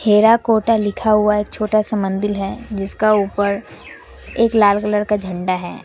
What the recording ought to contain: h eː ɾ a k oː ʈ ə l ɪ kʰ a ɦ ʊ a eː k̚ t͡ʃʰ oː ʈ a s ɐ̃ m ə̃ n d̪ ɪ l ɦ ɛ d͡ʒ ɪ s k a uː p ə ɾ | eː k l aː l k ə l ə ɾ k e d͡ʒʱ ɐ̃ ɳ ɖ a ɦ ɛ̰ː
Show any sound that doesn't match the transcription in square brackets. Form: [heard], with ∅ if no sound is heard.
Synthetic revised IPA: h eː ɾ a k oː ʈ [a] l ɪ kʰ a ɦ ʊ a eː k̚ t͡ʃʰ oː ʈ a s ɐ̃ m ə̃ n d̪ ɪ l ɦ ɛ d͡ʒ ɪ s k a uː p ə ɾ | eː k l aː l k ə l ə ɾ k [a] d͡ʒʱ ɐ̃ ɳ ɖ a ɦ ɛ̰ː